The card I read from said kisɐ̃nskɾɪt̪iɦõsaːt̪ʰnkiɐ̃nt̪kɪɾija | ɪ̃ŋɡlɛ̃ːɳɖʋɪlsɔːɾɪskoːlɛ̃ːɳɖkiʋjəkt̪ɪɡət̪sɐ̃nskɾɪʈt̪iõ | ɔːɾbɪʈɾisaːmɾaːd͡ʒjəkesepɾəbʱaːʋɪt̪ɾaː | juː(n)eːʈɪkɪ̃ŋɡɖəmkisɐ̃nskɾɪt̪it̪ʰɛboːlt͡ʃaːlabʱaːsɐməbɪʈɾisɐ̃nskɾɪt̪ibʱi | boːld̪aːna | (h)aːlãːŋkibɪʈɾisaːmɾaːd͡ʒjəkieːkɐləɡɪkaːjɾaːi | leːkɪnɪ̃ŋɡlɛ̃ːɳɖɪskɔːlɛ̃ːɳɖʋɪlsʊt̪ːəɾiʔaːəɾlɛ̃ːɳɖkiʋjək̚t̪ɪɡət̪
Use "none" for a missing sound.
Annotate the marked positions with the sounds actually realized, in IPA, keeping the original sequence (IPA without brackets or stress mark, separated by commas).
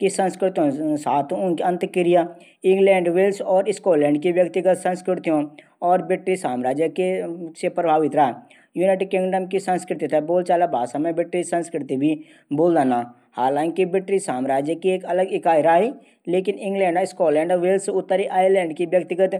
n, h